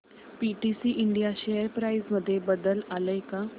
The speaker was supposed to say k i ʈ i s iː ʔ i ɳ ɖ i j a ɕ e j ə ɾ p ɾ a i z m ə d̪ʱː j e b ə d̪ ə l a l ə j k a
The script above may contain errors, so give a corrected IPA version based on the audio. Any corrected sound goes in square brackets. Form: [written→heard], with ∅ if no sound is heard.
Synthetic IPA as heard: [k→p] i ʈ i s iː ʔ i ɳ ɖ i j a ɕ e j ə ɾ p ɾ a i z m ə d̪ʱː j e b ə d̪ ə l a l ə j k a